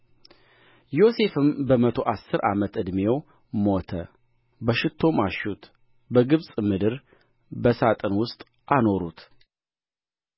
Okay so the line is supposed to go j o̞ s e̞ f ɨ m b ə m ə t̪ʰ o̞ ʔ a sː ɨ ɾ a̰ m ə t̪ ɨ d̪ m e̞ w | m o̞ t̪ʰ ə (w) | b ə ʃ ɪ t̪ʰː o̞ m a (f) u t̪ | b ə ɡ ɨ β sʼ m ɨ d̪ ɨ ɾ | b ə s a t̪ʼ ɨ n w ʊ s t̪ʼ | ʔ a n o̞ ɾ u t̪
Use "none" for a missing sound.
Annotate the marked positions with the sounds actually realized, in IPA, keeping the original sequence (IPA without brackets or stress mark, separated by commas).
none, ʃ